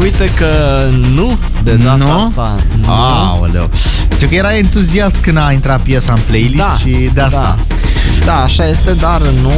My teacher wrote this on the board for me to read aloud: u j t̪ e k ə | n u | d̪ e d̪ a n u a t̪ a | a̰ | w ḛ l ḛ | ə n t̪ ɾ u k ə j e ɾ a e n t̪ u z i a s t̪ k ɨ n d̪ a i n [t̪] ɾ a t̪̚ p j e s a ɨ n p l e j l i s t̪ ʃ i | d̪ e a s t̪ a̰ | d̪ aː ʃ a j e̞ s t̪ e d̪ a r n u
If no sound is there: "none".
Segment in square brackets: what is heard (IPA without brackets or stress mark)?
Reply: t̪